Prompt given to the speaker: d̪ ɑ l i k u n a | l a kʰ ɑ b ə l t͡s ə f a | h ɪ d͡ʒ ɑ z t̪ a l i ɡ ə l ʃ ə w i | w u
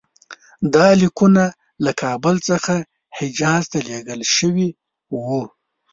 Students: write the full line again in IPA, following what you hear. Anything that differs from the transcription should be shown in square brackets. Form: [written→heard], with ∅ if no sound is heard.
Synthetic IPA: d̪ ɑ l i k u n a | l a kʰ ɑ b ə l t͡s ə [f→x] a | h ɪ d͡ʒ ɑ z t̪ a l [i→e] ɡ ə l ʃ ə w i | w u